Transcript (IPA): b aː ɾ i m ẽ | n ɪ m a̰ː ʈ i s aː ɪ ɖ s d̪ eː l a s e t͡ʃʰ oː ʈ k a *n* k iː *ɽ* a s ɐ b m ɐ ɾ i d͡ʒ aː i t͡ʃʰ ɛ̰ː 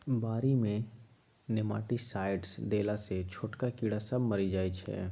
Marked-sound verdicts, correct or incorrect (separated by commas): incorrect, correct